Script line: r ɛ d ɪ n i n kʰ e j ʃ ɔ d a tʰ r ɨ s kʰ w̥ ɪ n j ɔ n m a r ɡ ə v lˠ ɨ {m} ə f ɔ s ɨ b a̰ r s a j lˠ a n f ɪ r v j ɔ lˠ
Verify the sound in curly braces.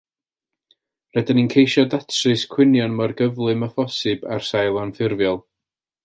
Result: correct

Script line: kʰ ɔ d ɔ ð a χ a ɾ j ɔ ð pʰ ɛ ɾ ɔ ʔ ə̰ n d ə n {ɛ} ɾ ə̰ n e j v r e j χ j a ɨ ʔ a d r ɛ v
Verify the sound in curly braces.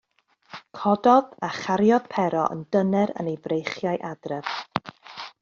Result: correct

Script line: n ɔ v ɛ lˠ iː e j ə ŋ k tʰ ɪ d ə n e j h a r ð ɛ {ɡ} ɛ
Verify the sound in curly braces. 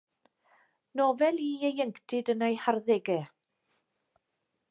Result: correct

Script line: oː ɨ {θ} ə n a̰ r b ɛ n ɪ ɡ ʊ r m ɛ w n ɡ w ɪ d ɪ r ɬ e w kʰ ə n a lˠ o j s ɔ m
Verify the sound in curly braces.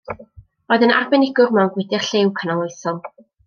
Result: incorrect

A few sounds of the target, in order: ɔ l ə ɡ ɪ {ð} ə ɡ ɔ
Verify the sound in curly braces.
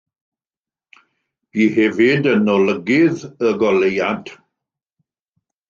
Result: correct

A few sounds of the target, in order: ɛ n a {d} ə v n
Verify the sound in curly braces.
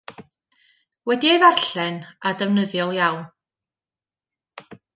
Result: correct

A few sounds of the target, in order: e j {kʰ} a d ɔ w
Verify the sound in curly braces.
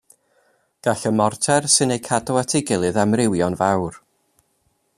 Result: correct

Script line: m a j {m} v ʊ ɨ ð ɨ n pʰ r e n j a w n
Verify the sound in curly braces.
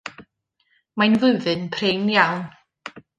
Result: incorrect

